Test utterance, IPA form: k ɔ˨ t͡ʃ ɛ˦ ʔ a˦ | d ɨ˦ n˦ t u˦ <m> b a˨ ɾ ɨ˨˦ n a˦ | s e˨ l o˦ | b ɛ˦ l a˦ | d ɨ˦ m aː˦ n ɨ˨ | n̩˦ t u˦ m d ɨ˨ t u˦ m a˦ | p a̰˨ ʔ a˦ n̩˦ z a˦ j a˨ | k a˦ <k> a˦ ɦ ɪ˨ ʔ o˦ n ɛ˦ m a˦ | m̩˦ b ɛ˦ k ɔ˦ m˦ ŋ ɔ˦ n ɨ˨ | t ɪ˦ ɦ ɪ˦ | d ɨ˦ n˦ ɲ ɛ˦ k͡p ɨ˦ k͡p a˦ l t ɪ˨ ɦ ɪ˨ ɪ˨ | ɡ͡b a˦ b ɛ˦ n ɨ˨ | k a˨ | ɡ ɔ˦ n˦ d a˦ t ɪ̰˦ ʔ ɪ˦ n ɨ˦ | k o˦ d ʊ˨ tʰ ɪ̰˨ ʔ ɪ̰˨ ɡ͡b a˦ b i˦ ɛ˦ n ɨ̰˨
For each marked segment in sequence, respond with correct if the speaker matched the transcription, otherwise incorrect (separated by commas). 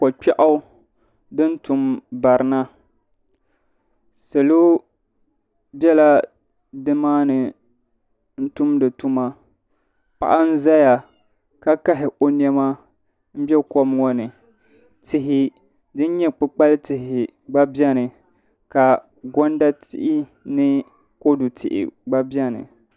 correct, correct